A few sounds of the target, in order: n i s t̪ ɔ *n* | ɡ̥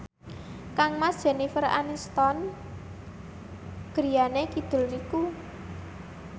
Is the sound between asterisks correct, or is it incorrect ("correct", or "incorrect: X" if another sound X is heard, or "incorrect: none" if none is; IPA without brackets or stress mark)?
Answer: correct